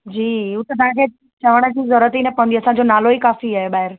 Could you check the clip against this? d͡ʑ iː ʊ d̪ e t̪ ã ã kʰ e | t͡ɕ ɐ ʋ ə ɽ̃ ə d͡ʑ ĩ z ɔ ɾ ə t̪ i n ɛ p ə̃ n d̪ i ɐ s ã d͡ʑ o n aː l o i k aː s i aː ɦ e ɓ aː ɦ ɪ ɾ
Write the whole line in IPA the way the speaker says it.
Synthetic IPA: d͡ʑ iː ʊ t̪ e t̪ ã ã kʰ e | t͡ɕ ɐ ʋ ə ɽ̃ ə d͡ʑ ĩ z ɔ ɾ ə t̪ i n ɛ p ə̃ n d̪ i ɐ s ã d͡ʑ o n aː l o i k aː f i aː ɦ e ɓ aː ɦ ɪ ɾ